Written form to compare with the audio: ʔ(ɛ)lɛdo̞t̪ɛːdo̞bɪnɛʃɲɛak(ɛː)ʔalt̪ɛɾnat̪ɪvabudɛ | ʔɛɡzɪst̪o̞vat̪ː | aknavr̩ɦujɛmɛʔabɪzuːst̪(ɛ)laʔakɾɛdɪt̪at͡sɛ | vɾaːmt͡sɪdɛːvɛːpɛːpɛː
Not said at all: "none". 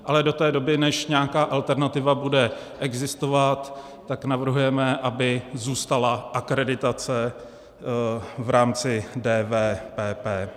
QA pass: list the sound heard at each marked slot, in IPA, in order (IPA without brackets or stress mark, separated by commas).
a, aː, a